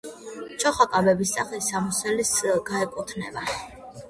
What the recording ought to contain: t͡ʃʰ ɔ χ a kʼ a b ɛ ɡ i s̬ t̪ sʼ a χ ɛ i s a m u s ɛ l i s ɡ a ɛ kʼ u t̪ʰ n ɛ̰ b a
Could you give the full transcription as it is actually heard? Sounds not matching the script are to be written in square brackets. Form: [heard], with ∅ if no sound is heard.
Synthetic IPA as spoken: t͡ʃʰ ɔ χ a kʼ a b ɛ [b] i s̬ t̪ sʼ a χ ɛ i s a m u s ɛ l i s ɡ a ɛ kʼ u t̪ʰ n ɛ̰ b a